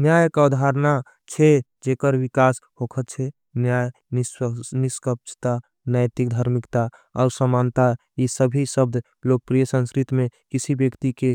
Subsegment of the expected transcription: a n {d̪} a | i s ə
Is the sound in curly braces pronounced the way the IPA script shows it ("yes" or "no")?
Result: no